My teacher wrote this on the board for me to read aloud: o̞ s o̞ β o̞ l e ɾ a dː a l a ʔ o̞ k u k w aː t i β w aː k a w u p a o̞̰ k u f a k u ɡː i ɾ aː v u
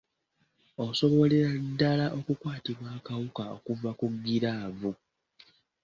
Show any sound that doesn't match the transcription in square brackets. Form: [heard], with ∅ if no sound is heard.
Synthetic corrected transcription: o̞ s o̞ β o̞ l e ɾ a dː a l a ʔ o̞ k u k w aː t i β w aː k a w u [k] a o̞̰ k u [v] a k u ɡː i ɾ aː v u